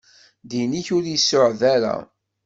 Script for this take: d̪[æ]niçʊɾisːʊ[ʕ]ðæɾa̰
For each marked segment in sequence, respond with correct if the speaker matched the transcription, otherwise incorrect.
incorrect: i, correct

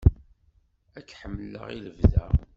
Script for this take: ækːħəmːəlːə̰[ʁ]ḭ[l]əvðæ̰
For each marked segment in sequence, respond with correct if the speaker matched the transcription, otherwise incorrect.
correct, correct

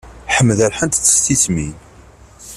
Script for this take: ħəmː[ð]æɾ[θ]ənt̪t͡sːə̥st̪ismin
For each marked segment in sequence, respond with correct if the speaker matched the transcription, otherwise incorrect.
correct, incorrect: ħ

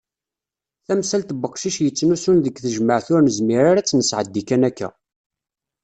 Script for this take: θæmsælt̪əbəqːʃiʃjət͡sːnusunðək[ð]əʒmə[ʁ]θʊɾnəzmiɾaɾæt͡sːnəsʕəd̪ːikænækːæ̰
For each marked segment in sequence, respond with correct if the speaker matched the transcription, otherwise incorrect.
incorrect: θ, incorrect: ʕ

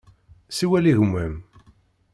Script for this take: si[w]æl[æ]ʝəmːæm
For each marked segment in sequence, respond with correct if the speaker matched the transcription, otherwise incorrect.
correct, incorrect: i

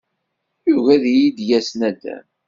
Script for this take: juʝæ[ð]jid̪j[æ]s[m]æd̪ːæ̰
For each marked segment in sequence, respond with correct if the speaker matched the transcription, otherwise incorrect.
correct, correct, incorrect: n

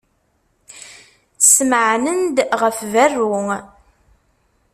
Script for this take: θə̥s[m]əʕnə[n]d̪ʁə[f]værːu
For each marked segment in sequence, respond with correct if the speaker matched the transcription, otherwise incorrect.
correct, correct, correct

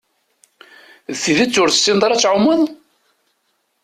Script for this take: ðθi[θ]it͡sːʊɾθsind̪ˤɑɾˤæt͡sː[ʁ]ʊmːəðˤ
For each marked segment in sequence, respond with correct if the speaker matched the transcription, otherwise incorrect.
incorrect: ð, incorrect: ʕ

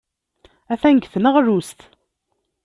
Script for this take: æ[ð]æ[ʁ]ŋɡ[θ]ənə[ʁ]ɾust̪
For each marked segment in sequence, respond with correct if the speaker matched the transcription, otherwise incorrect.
incorrect: θ, incorrect: none, correct, correct

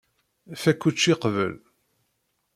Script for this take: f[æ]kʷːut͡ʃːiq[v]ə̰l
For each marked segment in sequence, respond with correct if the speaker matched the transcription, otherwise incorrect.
correct, correct

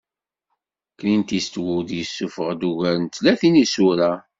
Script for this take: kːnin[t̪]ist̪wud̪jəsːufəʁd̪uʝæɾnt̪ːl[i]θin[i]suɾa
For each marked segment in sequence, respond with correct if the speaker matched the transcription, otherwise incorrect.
correct, incorrect: æ, correct

